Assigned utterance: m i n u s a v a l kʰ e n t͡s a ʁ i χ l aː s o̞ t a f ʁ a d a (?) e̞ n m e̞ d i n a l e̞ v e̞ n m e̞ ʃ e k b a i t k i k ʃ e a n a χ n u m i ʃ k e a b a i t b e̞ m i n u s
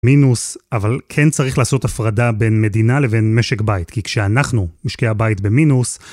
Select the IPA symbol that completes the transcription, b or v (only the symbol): b